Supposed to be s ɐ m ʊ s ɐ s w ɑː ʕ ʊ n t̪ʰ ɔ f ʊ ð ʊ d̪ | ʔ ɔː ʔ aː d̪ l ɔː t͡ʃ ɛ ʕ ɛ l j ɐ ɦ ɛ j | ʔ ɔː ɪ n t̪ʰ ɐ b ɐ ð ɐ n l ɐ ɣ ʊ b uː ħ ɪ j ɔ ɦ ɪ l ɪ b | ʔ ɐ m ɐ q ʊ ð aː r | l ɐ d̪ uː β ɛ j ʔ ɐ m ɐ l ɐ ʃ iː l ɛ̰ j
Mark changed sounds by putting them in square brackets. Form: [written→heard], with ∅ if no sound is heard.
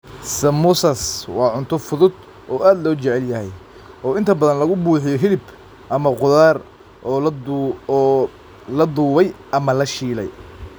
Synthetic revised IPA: s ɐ m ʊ s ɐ s w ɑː ʕ ʊ n t̪ʰ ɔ f ʊ ð ʊ d̪ | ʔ ɔː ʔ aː d̪ l ɔː t͡ʃ ɛ ʕ ɛ l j ɐ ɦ ɛ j | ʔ ɔː ɪ n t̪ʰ ɐ b ɐ ð ɐ n l ɐ ɣ ʊ b uː ħ ɪ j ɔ ɦ ɪ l ɪ b | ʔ ɐ m ɐ q ʊ ð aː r | l ɐ d̪ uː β ɛ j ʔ ɐ m ɐ l ɐ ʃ iː l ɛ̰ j

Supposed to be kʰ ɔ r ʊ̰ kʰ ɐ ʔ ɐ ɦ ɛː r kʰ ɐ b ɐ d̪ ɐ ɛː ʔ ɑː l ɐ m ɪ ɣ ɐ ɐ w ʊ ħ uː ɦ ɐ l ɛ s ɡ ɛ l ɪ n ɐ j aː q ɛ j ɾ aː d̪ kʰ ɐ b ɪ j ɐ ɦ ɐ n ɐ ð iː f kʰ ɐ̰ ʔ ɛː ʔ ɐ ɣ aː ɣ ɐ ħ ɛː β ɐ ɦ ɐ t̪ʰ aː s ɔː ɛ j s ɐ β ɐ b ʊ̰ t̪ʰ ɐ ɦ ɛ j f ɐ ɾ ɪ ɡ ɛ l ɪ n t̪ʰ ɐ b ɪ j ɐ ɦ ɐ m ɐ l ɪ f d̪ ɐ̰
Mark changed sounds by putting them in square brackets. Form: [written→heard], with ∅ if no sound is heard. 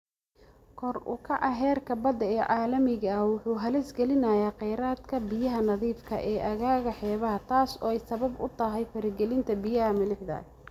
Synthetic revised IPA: kʰ ɔ r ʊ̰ kʰ ɐ ʔ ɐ ɦ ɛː r kʰ ɐ b ɐ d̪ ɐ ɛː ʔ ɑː l ɐ m ɪ ɣ ɐ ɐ w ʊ ħ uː ɦ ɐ l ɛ s ɡ ɛ l ɪ n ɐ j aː q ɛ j ɾ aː d̪ kʰ ɐ b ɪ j ɐ ɦ ɐ n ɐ ð iː f kʰ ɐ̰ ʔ ɛː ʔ ɐ ɣ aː ɣ ɐ ħ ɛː β ɐ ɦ ɐ t̪ʰ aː s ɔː ɛ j s ɐ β ɐ b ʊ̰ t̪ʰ ɐ ɦ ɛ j f ɐ ɾ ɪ ɡ ɛ l ɪ n t̪ʰ ɐ b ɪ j ɐ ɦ ɐ m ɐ l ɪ [f→ħ] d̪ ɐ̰

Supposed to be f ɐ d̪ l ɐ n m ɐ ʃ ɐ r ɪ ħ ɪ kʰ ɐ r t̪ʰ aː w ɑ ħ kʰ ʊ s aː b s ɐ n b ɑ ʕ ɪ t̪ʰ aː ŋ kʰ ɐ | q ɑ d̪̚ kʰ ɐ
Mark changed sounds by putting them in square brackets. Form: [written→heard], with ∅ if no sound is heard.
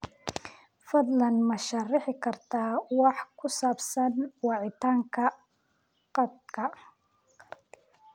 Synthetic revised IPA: f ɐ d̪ l ɐ n m ɐ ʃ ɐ r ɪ ħ ɪ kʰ ɐ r t̪ʰ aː w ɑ ħ kʰ ʊ s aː b s ɐ n [b→w] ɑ ʕ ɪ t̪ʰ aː ŋ kʰ ɐ | q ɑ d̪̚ kʰ ɐ

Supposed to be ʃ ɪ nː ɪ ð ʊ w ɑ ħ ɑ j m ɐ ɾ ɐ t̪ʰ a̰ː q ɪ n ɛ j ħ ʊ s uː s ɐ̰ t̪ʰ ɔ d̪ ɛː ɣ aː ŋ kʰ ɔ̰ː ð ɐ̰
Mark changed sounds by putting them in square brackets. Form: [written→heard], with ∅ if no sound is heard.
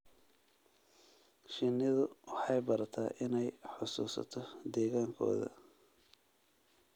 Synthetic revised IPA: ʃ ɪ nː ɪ ð ʊ w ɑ ħ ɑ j [m→b] ɐ ɾ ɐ t̪ʰ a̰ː [q→ʔ] ɪ n ɛ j ħ ʊ s uː s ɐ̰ t̪ʰ ɔ d̪ ɛː ɣ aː ŋ kʰ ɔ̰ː ð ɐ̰

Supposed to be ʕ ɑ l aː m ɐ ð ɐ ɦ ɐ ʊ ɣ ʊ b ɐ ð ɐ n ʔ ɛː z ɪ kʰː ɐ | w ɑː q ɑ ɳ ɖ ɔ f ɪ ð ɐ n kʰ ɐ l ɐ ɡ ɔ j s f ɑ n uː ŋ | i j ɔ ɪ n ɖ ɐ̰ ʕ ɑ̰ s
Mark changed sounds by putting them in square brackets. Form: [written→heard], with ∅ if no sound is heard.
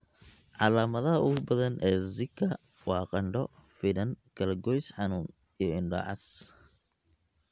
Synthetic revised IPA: ʕ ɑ l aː m ɐ ð ɐ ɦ ɐ ʊ ɣ ʊ b ɐ ð ɐ n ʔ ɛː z ɪ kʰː ɐ | w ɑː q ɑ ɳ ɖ ɔ f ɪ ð ɐ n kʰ ɐ l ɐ ɡ ɔ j s [f→ħ] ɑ n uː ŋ | i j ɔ ɪ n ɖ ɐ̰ ʕ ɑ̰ s

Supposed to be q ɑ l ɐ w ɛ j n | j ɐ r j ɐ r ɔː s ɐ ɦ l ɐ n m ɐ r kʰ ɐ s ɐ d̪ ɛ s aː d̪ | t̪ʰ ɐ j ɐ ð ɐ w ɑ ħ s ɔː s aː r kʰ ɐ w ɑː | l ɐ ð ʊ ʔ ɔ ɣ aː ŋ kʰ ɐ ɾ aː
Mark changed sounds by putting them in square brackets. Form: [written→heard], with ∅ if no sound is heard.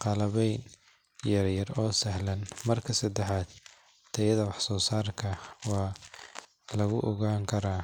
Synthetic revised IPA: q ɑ l ɐ [w→β] ɛ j n | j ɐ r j ɐ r ɔː s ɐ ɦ l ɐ n m ɐ r kʰ ɐ s ɐ d̪ ɛ [s→ħ] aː d̪ | t̪ʰ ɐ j ɐ ð ɐ w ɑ ħ s ɔː s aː r kʰ ɐ w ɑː | l ɐ [ð→ɣ] ʊ ʔ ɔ ɣ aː ŋ kʰ ɐ ɾ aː

